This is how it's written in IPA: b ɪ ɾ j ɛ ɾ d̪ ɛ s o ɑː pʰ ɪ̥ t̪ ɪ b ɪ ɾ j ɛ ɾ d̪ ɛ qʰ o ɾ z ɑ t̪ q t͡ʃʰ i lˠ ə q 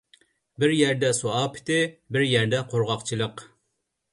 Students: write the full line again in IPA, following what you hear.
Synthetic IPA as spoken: b ɪ ɾ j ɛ ɾ d̪ ɛ s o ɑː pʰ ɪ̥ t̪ ɪ b ɪ ɾ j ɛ ɾ d̪ ɛ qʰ o ɾ ʁ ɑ q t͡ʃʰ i lˠ ə q